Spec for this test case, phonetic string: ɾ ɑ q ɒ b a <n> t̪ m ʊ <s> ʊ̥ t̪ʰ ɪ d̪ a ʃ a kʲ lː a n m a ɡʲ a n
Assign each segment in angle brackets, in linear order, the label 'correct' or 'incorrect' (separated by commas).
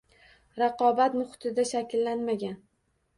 incorrect, incorrect